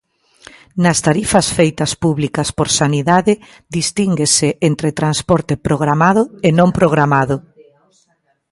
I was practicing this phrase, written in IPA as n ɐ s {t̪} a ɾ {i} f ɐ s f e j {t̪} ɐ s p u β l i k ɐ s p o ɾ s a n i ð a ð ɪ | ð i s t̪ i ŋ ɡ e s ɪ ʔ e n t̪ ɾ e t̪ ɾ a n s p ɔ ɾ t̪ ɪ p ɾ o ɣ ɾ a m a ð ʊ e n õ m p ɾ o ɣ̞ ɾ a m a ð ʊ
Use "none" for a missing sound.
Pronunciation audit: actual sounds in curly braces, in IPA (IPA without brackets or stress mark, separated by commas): t̪, i, t̪